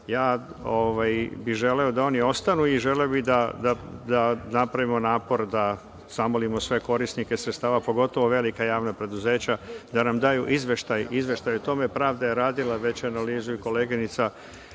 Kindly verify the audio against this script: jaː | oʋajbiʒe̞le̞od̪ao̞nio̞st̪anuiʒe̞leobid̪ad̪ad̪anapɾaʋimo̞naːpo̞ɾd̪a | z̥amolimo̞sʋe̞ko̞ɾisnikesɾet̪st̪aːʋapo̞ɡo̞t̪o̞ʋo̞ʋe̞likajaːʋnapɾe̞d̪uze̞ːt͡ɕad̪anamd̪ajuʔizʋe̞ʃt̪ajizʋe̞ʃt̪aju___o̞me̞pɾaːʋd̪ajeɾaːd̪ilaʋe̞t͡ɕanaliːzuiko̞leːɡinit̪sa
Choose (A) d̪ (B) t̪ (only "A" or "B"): B